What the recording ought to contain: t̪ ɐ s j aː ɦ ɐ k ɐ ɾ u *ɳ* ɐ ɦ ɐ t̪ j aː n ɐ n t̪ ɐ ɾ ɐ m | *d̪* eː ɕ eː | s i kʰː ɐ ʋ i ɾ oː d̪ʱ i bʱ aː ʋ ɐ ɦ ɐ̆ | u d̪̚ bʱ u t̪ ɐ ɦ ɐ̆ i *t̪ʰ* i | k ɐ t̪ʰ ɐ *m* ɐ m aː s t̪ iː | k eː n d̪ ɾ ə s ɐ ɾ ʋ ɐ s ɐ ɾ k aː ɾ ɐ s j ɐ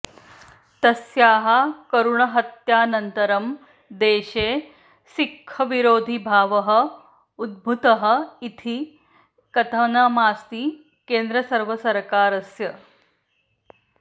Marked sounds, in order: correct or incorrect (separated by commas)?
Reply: correct, correct, correct, incorrect